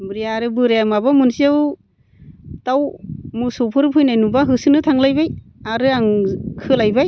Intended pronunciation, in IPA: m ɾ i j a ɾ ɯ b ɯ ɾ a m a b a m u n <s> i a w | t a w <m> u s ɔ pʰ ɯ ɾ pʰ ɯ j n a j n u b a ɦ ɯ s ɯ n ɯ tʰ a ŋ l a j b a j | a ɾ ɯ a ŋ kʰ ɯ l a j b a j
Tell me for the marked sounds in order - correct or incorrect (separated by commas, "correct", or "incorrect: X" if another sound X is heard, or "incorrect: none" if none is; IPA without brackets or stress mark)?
correct, correct